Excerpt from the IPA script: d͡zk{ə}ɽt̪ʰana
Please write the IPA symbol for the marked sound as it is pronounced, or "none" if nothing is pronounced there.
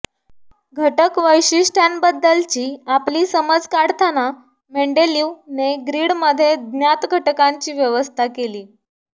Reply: a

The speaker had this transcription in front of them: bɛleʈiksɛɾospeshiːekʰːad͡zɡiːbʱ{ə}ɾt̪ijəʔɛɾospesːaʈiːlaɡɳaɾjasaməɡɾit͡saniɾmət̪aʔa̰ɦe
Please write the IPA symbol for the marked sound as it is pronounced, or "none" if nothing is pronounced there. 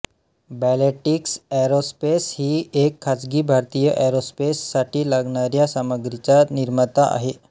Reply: a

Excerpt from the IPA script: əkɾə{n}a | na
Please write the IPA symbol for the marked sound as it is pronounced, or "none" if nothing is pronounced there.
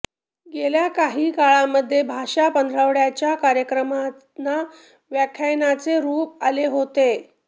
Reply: m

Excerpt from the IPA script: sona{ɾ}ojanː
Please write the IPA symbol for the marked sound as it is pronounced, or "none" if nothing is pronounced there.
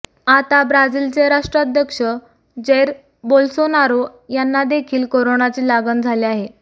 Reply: ɾ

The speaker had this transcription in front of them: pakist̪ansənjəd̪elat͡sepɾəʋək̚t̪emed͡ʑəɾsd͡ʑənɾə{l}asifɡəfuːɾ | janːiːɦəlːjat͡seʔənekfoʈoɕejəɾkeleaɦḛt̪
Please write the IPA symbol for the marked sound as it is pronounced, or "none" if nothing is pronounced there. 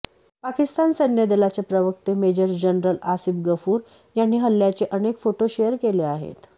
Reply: l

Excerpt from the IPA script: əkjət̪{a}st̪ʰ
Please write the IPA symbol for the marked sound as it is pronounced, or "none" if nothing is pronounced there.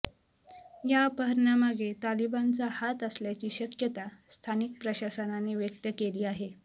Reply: a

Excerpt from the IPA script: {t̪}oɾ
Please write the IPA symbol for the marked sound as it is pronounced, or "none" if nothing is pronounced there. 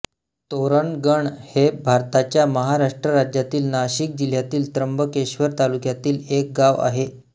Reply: t̪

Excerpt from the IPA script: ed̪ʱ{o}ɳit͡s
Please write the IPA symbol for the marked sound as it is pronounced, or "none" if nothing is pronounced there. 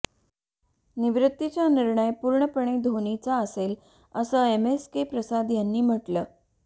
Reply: o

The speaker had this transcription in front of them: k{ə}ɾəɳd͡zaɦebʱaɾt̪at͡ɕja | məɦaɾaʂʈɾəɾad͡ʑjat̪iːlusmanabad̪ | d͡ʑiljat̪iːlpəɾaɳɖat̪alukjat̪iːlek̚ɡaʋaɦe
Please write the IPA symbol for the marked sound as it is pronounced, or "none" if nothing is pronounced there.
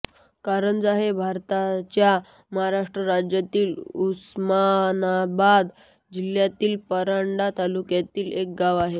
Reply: a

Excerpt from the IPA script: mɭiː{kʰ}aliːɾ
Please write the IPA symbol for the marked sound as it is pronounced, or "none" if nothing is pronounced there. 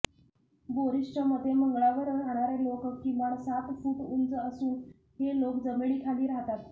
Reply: kʰ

